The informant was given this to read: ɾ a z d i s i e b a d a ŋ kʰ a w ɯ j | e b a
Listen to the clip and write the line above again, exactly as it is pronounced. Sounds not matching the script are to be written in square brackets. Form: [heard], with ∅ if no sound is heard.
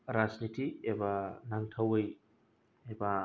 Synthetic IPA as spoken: ɾ a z [n] i [t] i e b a [n] a ŋ [tʰ] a w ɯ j | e b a